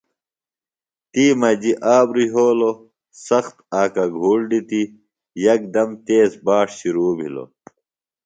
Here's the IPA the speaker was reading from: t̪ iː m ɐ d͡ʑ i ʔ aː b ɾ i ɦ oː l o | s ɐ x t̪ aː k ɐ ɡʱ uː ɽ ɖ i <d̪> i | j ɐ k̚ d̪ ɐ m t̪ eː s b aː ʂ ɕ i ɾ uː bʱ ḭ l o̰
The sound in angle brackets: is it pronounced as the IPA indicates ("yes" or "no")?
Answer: no